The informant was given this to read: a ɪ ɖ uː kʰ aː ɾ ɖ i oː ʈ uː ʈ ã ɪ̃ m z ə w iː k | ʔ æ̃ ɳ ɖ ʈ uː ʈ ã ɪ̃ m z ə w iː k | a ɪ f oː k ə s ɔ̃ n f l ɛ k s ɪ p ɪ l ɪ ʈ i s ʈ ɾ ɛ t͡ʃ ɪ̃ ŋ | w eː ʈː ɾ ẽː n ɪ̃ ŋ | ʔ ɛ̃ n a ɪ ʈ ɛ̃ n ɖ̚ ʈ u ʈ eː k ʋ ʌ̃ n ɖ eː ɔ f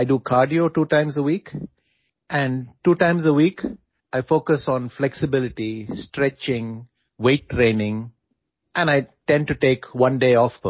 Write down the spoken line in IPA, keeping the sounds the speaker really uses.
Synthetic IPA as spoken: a ɪ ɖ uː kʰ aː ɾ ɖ i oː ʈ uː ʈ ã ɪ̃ m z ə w iː k | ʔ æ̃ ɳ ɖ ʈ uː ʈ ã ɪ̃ m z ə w iː k | a ɪ f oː k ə s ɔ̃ n f l ɛ k s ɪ b ɪ l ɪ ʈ i s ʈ ɾ ɛ t͡ʃ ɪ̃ ŋ | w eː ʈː ɾ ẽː n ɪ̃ ŋ | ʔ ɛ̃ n a ɪ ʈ ɛ̃ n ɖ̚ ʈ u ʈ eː k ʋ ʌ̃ n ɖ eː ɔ f

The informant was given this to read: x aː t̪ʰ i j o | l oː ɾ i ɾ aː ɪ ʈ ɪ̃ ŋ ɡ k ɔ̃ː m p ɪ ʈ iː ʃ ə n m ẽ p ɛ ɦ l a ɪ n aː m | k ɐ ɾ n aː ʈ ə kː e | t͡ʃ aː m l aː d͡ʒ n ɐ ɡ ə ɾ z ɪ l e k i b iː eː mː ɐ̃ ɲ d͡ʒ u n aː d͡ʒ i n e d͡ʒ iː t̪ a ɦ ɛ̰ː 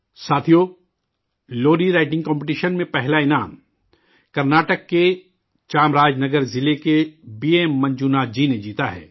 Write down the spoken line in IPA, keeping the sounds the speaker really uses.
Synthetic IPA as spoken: s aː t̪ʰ i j o | l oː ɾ i ɾ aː ɪ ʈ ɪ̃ ŋ ɡ k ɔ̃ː m p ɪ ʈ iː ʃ ə n m ẽ p ɛ ɦ l a ɪ n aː m | k ɐ ɾ n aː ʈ ə kː e | t͡ʃ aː m ɾ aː d͡ʒ n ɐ ɡ ə ɾ z ɪ l e k e b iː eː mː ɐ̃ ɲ d͡ʒ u n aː d͡ʒ i n e d͡ʒ iː t̪ a ɦ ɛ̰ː

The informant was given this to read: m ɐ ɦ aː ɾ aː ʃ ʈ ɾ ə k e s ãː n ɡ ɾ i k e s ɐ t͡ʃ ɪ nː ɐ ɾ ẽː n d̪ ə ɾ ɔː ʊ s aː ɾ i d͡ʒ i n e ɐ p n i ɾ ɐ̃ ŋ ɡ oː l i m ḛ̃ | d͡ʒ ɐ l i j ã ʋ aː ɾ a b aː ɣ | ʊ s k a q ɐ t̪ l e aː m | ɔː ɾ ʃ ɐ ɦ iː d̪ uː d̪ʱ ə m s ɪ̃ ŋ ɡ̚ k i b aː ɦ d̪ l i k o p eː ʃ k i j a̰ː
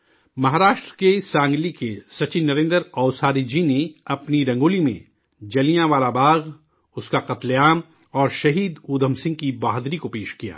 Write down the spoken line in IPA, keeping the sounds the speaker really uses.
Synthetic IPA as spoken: m ɐ ɦ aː ɾ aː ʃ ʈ ɾ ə k e s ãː ŋ ɡ l i k e s ɐ t͡ʃ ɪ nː ɐ ɾ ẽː n d̪ ə ɾ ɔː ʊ s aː ɾ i d͡ʒ i n e ɐ p n i ɾ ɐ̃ ŋ ɡ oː l i m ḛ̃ | d͡ʒ ɐ l i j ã ʋ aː l a b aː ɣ | ʊ s k a q ɐ t̪ l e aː m | ɔː ɾ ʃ ɐ ɦ iː d̪ uː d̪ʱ ə m s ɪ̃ ŋ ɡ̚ k i b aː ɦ d̪ ɾ i k o p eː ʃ k i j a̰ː

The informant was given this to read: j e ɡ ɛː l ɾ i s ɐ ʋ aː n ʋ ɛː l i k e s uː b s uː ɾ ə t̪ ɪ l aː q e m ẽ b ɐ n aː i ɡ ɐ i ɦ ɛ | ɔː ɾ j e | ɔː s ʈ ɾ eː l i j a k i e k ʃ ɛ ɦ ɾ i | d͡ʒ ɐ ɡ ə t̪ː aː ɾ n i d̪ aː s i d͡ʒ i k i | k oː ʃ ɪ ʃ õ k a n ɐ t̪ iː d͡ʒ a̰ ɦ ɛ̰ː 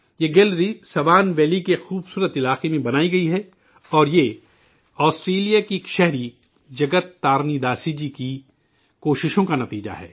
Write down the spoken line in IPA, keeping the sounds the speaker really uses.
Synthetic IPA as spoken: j e ɡ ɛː l ɾ i s ɐ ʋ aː n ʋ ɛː l i k e x uː b s uː ɾ ə t̪ ɪ l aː q e m ẽ b ɐ n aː i ɡ ɐ i ɦ ɛ | ɔː ɾ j e | ɔː s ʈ ɾ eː l i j a k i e k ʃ ɛ ɦ ɾ i | d͡ʒ ɐ ɡ ə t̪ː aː ɾ n i d̪ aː s i d͡ʒ i k i | k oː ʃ ɪ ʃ õ k a n ɐ t̪ iː d͡ʒ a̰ ɦ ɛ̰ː

